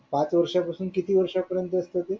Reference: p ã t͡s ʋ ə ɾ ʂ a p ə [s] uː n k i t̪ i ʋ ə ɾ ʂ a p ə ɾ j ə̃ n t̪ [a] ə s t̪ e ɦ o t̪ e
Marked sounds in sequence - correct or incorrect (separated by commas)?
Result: correct, incorrect